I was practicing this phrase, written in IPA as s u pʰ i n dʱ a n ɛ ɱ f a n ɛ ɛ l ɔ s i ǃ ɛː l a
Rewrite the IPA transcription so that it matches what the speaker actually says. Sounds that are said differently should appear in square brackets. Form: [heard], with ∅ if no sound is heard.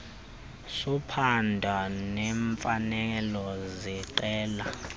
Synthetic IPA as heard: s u pʰ [a] n dʱ a n ɛ ɱ f a n ɛ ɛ l ɔ [z] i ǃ ɛː l a